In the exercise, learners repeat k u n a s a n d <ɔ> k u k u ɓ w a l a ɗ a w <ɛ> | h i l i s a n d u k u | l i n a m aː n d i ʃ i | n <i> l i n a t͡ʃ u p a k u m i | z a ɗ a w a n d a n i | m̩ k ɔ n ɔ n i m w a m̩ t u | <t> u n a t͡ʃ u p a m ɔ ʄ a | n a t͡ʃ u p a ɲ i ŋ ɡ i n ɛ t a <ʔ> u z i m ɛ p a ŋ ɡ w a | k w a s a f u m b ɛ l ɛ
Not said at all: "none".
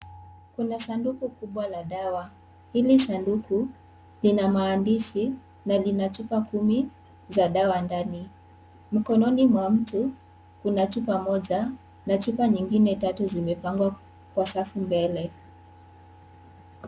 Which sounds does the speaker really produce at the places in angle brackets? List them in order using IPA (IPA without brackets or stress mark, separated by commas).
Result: u, a, a, k, t